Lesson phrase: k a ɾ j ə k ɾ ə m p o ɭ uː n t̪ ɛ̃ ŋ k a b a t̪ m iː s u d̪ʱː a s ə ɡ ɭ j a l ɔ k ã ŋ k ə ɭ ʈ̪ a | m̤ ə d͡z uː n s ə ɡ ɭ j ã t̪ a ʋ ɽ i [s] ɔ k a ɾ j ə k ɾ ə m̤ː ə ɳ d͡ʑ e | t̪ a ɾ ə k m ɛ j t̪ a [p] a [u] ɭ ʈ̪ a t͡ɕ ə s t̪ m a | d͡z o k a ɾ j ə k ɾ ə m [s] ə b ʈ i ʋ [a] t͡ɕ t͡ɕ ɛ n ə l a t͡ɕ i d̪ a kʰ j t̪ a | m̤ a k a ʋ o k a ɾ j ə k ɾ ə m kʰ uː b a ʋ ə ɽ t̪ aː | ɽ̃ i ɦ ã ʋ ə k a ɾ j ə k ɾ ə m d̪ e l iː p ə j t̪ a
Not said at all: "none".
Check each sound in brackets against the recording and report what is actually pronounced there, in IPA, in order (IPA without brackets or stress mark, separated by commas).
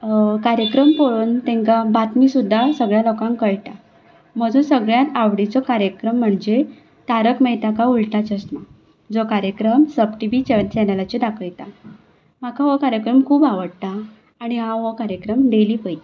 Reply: t͡s, k, u, s, i